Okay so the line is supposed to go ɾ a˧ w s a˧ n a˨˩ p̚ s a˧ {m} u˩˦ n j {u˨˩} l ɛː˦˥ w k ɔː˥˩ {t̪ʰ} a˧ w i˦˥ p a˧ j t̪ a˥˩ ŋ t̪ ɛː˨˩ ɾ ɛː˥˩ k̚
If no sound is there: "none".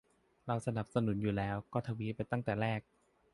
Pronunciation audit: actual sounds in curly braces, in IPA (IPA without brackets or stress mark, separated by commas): n, uː˨˩, t̪ʰ